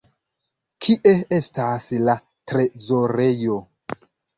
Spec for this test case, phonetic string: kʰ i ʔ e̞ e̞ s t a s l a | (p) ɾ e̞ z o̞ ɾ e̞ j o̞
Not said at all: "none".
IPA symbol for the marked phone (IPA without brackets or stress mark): t